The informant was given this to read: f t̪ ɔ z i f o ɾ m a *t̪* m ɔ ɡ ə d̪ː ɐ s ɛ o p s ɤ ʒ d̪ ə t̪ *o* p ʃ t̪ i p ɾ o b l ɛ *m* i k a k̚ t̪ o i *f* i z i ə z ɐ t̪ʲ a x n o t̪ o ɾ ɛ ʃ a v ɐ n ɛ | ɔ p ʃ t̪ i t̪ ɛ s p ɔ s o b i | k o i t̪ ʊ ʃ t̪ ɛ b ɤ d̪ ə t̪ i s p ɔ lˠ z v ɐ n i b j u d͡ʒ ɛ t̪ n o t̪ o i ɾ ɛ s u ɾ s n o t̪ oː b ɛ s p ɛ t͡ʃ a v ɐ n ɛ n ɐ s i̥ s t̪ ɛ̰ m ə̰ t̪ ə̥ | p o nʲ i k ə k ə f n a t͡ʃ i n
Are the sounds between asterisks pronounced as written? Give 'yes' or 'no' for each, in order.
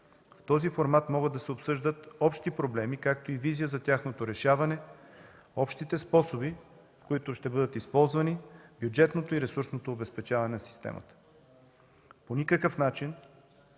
yes, no, yes, no

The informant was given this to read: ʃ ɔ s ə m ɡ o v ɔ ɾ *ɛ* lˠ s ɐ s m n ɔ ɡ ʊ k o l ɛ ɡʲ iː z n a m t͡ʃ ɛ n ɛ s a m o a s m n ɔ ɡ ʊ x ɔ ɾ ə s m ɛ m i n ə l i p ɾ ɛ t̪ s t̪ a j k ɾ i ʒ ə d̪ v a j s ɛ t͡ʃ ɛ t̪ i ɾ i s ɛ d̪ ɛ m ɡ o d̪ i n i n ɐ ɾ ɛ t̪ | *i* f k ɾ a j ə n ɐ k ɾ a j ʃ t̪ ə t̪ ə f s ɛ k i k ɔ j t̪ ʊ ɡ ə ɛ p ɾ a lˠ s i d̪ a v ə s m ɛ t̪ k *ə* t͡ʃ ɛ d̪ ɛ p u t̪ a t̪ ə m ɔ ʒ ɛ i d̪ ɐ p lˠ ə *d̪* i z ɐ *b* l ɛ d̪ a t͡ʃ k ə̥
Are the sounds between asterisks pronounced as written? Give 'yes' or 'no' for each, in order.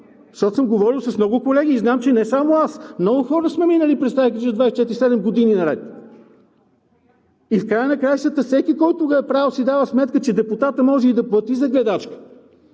no, yes, yes, no, no

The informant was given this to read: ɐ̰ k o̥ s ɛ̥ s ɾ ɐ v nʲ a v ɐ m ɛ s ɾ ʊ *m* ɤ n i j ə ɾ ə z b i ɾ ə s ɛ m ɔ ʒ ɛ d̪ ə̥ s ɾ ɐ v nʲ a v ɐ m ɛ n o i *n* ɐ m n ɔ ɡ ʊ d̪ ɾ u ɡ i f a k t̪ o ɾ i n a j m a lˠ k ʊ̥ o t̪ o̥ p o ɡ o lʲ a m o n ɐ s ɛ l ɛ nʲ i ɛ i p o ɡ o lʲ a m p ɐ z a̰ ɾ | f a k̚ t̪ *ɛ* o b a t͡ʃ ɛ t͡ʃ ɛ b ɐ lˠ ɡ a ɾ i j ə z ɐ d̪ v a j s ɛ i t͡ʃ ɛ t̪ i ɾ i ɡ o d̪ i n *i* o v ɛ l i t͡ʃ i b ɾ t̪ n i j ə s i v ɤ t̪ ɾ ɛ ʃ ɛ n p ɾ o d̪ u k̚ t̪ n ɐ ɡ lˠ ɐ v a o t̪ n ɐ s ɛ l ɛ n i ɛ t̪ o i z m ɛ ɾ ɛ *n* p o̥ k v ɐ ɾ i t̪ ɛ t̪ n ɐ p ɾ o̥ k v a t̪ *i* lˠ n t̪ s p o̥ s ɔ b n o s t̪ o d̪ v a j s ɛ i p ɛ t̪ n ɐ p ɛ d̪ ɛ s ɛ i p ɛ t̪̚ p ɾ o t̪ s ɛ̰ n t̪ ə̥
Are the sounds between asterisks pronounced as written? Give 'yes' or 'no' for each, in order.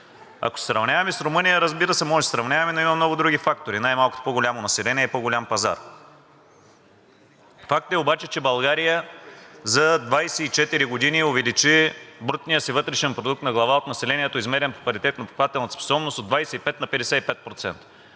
yes, no, yes, yes, yes, no

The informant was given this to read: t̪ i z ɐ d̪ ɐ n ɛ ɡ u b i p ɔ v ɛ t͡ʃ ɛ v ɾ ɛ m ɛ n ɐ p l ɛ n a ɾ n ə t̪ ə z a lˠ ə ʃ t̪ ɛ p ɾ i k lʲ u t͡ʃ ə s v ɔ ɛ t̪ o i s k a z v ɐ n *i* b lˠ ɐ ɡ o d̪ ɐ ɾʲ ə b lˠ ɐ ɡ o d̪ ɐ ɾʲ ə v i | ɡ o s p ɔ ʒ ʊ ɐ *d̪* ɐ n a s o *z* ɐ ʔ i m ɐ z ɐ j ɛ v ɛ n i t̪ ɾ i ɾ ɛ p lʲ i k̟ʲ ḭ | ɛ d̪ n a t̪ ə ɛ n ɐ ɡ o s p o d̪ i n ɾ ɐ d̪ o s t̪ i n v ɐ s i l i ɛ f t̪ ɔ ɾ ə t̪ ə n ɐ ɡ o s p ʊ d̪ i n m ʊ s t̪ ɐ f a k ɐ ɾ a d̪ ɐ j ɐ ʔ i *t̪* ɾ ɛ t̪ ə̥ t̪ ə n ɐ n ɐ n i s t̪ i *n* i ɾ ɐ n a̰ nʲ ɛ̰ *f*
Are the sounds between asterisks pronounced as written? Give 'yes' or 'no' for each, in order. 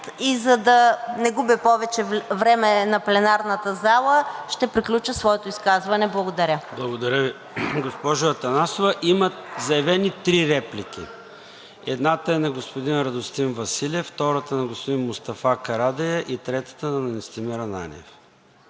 no, no, no, yes, no, yes

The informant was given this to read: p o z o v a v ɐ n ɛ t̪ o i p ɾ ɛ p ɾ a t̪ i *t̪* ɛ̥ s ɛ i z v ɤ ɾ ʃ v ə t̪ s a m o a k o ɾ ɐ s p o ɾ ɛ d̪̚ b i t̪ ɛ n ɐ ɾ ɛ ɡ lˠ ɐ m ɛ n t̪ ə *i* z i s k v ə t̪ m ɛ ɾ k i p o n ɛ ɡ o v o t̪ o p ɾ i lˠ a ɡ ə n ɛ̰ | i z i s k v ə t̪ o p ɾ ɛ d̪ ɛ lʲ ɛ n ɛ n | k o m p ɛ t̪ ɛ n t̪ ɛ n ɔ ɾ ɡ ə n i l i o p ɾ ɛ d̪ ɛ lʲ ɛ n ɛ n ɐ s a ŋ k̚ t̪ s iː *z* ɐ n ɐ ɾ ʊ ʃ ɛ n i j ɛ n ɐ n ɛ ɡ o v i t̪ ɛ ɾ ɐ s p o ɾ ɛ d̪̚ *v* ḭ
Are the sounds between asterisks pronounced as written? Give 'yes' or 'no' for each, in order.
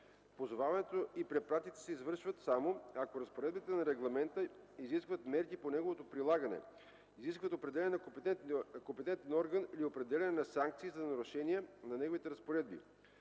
yes, yes, yes, no

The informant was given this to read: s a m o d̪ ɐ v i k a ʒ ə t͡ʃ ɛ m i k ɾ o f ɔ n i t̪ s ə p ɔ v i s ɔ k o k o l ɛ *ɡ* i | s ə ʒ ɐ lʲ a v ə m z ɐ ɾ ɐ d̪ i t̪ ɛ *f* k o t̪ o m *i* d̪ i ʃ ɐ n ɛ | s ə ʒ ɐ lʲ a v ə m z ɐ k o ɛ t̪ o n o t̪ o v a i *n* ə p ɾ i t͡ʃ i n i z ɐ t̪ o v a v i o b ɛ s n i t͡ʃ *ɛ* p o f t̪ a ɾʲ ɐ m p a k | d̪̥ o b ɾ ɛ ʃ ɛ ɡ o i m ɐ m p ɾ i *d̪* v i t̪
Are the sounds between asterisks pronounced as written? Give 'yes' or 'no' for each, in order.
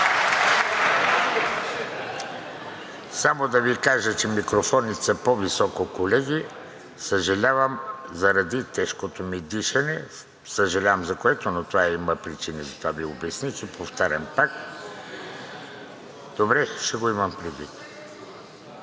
yes, no, yes, no, yes, yes

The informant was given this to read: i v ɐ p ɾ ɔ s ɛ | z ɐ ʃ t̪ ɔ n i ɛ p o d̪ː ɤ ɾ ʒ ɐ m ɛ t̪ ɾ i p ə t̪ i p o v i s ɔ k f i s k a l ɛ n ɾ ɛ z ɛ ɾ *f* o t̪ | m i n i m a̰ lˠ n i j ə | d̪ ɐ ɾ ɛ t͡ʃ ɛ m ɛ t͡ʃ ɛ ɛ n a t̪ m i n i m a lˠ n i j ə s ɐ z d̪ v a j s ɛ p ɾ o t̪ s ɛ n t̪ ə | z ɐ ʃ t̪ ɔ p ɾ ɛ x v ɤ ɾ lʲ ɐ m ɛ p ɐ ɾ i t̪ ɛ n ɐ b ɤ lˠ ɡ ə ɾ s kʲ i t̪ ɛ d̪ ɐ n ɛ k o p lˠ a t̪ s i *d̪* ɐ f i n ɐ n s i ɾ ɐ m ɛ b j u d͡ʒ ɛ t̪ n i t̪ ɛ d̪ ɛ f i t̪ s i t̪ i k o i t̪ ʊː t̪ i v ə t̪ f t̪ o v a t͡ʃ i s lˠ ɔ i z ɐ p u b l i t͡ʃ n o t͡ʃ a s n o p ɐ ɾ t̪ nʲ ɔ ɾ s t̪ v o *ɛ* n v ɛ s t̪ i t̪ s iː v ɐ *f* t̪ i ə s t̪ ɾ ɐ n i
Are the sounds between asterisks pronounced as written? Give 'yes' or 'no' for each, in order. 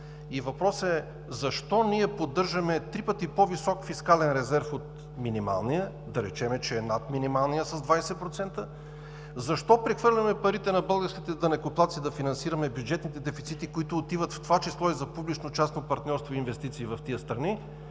yes, yes, no, yes

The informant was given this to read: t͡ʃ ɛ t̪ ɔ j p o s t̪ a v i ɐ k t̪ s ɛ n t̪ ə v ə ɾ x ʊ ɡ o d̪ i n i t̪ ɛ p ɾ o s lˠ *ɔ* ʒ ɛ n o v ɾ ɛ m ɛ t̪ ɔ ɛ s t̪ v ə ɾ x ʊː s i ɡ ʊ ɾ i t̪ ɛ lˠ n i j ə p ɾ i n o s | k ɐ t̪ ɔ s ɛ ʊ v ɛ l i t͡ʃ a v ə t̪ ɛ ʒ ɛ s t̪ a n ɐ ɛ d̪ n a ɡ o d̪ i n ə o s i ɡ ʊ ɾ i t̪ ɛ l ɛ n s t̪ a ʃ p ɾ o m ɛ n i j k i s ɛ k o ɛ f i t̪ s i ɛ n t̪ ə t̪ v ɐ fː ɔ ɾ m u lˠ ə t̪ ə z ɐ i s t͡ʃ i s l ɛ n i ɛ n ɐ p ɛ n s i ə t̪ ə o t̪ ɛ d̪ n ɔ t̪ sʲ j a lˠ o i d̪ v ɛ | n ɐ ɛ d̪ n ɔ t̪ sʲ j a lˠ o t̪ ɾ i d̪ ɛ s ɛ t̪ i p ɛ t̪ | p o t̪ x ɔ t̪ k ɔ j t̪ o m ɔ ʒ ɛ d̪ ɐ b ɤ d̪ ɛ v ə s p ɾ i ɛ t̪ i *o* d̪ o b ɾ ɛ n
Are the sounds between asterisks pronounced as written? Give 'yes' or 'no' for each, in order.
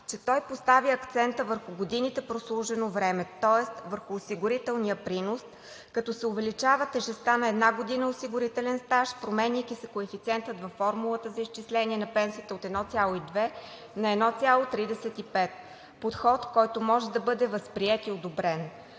no, yes

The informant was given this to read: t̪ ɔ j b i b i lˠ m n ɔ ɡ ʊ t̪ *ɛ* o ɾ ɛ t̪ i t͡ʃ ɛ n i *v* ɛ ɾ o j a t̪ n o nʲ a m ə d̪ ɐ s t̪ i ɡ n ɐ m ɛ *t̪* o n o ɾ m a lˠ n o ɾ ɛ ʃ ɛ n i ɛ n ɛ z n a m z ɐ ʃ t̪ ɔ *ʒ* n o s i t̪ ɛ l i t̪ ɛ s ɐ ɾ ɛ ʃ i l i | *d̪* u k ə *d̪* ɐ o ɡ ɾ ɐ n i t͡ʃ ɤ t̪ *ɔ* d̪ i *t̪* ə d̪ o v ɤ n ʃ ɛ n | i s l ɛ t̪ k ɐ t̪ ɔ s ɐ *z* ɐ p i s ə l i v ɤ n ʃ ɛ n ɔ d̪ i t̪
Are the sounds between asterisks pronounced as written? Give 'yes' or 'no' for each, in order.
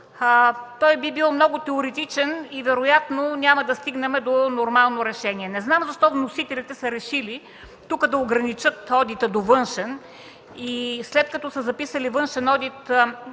yes, yes, no, no, no, yes, yes, yes, yes

